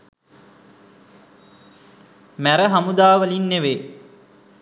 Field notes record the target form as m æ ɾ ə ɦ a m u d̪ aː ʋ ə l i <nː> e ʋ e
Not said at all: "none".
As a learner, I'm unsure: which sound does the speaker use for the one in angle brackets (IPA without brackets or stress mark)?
nː